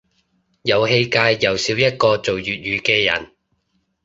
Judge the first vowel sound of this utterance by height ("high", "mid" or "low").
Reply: low